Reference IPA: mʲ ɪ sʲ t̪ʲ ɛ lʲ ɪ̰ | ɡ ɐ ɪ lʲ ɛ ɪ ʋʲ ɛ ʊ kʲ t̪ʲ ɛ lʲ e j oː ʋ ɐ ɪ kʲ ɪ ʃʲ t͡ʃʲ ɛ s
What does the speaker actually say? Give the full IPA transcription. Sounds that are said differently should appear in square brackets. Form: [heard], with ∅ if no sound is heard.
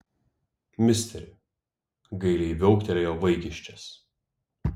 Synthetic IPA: mʲ ɪ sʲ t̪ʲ ɛ [ɾʲ] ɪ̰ | ɡ ɐ ɪ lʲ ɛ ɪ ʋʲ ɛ ʊ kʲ t̪ʲ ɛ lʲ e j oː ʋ ɐ ɪ kʲ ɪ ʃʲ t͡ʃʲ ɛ s

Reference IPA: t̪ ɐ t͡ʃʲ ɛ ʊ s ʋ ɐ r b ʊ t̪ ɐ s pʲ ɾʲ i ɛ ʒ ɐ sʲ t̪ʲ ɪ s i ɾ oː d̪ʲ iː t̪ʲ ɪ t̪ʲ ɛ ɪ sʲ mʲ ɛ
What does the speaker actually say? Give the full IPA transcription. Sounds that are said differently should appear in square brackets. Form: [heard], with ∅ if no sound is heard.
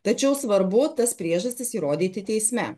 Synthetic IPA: t̪ ɐ t͡ʃʲ ɛ ʊ s ʋ ɐ [ɾ] b ʊ t̪ ɐ s pʲ ɾʲ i ɛ ʒ ɐ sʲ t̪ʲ ɪ s i ɾ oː d̪ʲ iː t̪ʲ ɪ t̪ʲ ɛ ɪ sʲ mʲ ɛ

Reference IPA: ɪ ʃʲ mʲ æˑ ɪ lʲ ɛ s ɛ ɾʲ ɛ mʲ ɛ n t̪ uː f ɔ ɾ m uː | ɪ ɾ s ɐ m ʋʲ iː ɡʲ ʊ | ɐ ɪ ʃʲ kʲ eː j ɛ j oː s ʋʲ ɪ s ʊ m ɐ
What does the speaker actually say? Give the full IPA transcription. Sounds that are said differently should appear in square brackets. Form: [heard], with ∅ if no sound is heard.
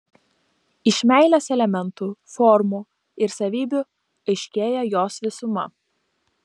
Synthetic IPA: ɪ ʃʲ mʲ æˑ ɪ lʲ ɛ s ɛ [lʲ] ɛ mʲ ɛ n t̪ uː f ɔ ɾ m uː | ɪ ɾ s ɐ [∅] ʋʲ iː [bʲ] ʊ | ɐ ɪ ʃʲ kʲ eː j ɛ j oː s ʋʲ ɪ s ʊ m ɐ

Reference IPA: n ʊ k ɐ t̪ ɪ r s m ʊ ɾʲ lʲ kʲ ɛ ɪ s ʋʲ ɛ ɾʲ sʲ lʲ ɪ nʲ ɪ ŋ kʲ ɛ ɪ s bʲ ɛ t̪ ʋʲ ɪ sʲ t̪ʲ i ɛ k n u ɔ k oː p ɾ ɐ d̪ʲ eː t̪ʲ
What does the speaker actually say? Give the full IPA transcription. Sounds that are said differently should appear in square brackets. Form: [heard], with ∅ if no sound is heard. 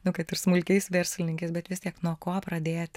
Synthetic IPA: n ʊ k ɐ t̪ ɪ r s m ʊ [∅] lʲ kʲ ɛ ɪ s ʋʲ ɛ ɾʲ sʲ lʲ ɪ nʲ ɪ ŋ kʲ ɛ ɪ s bʲ ɛ t̪ ʋʲ ɪ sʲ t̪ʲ i ɛ k n u ɔ k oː p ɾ ɐ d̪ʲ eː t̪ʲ

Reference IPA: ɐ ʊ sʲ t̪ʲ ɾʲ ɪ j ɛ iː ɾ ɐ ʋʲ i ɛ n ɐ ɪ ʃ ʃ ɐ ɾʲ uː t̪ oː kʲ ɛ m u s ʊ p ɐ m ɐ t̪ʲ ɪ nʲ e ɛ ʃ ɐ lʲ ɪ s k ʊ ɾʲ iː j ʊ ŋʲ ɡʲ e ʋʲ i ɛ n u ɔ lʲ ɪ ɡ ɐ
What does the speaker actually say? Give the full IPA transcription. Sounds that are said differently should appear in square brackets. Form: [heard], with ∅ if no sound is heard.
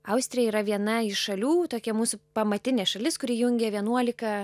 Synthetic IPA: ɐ ʊ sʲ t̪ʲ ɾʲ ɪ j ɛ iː ɾ ɐ ʋʲ i ɛ n ɐ ɪ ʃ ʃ ɐ [lʲ] uː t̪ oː kʲ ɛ m [uː] s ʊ p ɐ m ɐ t̪ʲ ɪ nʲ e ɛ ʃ ɐ lʲ ɪ s k ʊ ɾʲ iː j ʊ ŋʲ ɡʲ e ʋʲ i ɛ n u ɔ lʲ ɪ [k] ɐ

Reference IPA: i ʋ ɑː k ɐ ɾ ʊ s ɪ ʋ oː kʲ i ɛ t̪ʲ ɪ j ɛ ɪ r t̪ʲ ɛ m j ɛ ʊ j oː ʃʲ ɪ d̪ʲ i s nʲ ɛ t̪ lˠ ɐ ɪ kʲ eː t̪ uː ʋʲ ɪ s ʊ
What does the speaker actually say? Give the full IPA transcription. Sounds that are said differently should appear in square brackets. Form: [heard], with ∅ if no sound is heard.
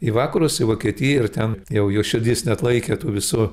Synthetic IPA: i ʋ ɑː k ɐ ɾ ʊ s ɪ ʋ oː kʲ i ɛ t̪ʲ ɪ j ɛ ɪ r t̪ʲ ɛ [n] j ɛ ʊ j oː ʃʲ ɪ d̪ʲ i s nʲ ɛ t̪ lˠ ɐ ɪ kʲ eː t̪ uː ʋʲ ɪ s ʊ

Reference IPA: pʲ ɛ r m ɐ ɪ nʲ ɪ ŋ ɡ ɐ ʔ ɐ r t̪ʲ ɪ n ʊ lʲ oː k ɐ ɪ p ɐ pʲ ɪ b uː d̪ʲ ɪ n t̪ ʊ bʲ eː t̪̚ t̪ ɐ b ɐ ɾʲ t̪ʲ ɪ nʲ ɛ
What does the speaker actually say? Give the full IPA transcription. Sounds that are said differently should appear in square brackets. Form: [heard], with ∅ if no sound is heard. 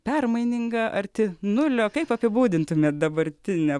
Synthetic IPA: pʲ ɛ r m ɐ ɪ nʲ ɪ ŋ ɡ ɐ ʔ ɐ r t̪ʲ ɪ n ʊ lʲ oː k ɐ ɪ p ɐ pʲ ɪ b uː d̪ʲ ɪ n t̪ ʊ [mʲ] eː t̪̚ [d̪] ɐ b ɐ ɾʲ t̪ʲ ɪ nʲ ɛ

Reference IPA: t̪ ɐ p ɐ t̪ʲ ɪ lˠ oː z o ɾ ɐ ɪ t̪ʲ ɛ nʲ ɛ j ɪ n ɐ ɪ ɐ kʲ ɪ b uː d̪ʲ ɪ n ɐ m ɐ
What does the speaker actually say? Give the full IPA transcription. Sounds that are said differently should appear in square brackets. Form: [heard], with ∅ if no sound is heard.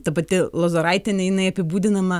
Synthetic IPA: t̪ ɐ p ɐ t̪ʲ ɪ lˠ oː z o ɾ ɐ ɪ t̪ʲ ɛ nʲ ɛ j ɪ n ɐ ɪ ɐ [pʲ] ɪ b uː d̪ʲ ɪ n ɐ m ɐ

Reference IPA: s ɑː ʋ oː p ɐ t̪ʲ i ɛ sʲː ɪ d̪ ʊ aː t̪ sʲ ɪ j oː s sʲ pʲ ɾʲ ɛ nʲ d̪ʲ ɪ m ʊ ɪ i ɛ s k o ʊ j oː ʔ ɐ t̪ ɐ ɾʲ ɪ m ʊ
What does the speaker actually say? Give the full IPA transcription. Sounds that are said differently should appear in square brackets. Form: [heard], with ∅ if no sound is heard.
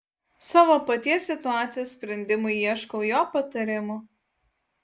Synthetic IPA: s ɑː ʋ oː p ɐ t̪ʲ i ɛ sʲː ɪ [t̪] ʊ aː t̪ sʲ ɪ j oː s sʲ pʲ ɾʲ ɛ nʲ d̪ʲ ɪ m ʊ ɪ i ɛ [ʃ] k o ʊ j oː [p] ɐ t̪ ɐ ɾʲ ɪ m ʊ

